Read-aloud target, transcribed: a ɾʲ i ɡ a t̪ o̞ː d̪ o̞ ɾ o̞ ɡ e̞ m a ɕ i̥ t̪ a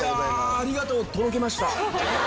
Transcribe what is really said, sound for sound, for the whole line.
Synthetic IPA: a ɾʲ i ɡ a t̪ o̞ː t̪ o̞ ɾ o̞ k e̞ m a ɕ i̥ t̪ a